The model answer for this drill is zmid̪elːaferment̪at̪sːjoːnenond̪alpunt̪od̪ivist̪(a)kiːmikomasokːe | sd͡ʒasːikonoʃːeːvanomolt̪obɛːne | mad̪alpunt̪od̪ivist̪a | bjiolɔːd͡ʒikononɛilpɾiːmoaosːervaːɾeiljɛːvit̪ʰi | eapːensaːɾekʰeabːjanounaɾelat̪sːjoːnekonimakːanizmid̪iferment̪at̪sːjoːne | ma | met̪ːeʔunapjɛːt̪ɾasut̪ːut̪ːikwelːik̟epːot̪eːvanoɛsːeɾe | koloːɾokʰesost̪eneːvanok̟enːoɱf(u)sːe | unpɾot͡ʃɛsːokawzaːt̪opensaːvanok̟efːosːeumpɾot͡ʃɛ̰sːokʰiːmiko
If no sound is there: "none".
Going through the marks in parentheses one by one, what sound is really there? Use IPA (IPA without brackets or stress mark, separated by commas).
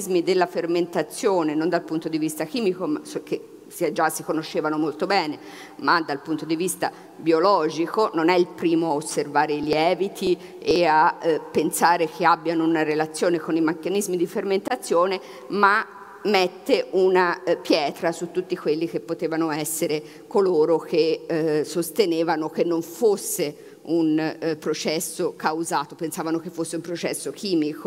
a, o